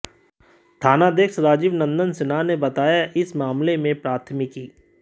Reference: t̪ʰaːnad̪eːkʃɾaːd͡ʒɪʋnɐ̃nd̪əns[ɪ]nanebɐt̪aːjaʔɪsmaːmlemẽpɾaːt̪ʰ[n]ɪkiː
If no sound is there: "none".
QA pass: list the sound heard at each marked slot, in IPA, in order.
ɪ, m

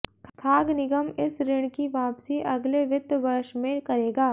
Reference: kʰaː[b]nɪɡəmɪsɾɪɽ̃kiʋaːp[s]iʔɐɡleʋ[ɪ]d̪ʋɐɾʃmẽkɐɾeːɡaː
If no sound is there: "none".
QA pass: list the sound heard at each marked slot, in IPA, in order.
ɡ, s, ɪ

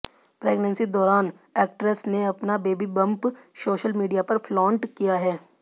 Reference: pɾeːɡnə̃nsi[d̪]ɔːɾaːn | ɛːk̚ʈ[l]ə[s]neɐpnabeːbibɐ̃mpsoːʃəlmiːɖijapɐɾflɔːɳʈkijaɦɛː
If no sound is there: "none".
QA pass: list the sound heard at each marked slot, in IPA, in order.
d̪, ɾ, s

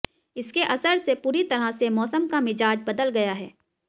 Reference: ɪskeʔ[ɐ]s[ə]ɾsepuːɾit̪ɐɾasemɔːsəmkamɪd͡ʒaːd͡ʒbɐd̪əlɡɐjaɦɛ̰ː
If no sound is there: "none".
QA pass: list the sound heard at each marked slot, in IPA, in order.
ɐ, ə

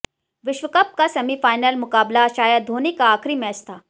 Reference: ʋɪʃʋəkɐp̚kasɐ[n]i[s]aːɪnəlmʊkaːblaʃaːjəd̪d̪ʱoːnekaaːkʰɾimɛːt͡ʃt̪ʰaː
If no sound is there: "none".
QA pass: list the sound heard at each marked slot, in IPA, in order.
m, f

